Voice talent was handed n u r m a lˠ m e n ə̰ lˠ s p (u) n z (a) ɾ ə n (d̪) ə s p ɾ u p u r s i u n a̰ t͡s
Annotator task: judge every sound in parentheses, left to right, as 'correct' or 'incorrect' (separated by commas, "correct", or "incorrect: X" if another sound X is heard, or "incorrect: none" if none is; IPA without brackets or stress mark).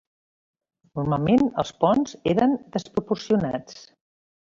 incorrect: ɔ, incorrect: e, correct